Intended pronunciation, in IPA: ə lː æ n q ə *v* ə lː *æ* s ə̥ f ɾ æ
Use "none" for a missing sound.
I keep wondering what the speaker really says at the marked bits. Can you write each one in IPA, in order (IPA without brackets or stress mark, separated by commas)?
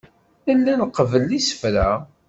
v, i